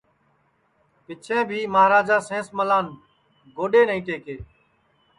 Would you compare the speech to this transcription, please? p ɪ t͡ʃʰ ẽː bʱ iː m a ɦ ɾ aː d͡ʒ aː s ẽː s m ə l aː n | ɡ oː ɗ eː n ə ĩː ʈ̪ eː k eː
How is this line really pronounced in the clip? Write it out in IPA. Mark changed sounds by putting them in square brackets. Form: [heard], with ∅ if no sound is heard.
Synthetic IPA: p ɪ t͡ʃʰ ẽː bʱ iː m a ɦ ɾ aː d͡ʒ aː s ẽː s m ə l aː n | ɡ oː ɗ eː n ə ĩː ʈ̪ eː k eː